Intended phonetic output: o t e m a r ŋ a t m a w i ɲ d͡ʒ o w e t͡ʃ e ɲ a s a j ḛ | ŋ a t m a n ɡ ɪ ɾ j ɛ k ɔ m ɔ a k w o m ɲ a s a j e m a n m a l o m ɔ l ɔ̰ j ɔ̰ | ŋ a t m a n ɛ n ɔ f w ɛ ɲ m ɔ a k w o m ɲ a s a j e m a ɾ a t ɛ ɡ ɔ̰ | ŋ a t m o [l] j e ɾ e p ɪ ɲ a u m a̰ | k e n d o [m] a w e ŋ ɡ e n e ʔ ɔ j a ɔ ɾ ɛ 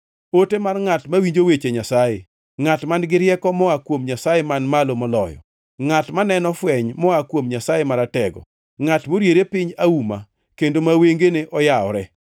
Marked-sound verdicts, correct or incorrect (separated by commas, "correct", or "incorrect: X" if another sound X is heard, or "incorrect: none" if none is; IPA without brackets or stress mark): incorrect: ɾ, correct